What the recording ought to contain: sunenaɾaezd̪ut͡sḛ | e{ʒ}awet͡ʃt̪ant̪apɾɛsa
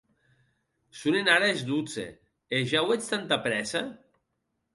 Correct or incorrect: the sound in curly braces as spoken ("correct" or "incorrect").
correct